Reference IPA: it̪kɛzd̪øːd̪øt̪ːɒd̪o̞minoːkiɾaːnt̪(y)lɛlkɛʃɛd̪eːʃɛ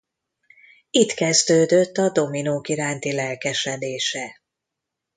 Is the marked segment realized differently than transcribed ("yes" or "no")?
yes